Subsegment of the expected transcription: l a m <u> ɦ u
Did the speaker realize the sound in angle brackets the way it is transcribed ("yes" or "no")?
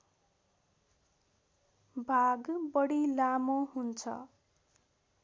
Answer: no